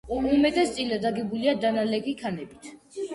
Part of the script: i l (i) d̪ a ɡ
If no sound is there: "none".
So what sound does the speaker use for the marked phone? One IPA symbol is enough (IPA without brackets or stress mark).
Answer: a